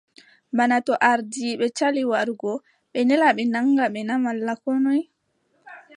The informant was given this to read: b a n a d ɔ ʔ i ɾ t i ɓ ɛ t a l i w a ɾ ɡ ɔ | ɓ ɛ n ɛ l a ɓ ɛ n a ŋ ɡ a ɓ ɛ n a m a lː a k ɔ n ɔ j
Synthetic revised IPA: b a n a t ɔ ʔ a ɾ d i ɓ ɛ t͡ʃ a l i w a ɾ ɡ ɔ | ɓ ɛ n ɛ l a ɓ ɛ n a ŋ ɡ a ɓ ɛ n a m a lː a k ɔ n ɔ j